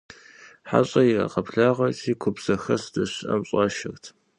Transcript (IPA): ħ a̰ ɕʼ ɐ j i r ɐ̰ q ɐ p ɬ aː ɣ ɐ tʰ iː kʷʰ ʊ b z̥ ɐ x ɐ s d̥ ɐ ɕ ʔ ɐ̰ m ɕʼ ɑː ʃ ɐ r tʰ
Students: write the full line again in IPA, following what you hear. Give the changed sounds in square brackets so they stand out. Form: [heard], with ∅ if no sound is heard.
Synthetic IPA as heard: ħ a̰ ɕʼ ɐ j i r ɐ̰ q ɐ p ɬ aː [ʁ] ɐ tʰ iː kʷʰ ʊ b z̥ ɐ x ɐ s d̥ ɐ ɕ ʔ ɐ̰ m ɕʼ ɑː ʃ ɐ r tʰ